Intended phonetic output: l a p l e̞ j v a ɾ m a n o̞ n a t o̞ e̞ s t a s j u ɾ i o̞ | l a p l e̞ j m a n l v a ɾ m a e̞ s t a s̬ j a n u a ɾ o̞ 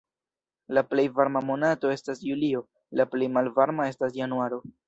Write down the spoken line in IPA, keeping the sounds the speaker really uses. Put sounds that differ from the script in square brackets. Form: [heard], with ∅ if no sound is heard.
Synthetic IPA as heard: l a p l e̞ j v a ɾ m a [m] o̞ n a t o̞ e̞ s t a s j u [l] i o̞ | l a p l e̞ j m a [∅] l v a ɾ m a e̞ s t a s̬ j a n u a ɾ o̞